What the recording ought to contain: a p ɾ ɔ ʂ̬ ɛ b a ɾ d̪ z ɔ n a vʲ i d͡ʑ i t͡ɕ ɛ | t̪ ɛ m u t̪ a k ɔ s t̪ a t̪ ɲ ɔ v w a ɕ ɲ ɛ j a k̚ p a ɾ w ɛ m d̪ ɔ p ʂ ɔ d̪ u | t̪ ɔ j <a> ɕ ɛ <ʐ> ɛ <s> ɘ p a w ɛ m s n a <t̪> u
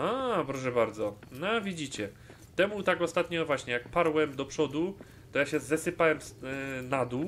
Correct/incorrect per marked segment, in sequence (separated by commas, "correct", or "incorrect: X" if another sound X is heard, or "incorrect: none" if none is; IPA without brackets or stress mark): correct, incorrect: z, correct, incorrect: d̪